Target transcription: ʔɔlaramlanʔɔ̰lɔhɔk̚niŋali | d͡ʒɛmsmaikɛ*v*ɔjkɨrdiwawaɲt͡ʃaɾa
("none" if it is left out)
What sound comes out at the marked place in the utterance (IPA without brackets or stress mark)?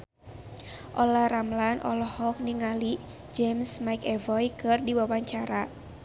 v